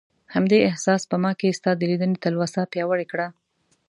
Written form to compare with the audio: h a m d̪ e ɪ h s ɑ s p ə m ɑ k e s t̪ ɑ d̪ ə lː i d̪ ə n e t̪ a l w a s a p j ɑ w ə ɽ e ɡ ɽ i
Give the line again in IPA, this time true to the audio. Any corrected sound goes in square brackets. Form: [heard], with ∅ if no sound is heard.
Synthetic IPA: h a m d̪ e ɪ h s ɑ s p ə m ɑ k e s t̪ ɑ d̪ ə [l] i d̪ ə n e t̪ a l w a s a p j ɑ w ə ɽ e [k] ɽ [a]